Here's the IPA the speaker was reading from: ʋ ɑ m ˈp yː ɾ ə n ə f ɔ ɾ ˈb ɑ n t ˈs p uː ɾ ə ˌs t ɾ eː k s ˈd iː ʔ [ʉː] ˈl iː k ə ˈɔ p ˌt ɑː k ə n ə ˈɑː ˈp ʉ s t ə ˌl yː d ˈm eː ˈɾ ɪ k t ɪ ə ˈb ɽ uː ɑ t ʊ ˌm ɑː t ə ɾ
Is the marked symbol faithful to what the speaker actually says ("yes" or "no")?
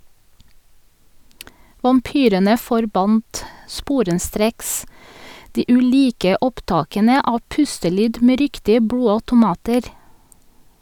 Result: no